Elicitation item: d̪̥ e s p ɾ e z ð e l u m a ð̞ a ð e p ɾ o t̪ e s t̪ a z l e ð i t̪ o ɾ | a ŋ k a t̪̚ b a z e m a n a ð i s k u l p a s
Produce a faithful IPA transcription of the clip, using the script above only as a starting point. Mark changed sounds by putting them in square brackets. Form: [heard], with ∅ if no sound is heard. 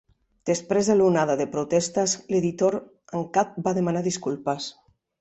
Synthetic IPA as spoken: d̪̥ e s p ɾ e z ð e l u [n] a ð̞ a ð e p ɾ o t̪ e s t̪ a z l e ð i t̪ o ɾ | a ŋ k a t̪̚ b a [ð] e m a n a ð i s k u l p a s